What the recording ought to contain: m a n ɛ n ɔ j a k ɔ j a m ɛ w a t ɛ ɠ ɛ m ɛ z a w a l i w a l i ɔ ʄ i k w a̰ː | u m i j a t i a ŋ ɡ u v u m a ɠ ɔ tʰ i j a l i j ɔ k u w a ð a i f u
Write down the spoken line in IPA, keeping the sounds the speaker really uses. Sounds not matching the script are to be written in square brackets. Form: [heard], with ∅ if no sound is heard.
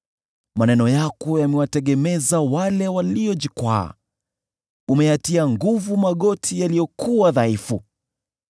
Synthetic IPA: m a n ɛ n ɔ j a k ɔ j a m ɛ w a t ɛ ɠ ɛ m ɛ z a w a l [ɛ] w a l i ɔ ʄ i k w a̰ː | u m [ɛ] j a t i a ŋ ɡ u v u m a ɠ ɔ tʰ i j a l i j ɔ k u w a ð a i f u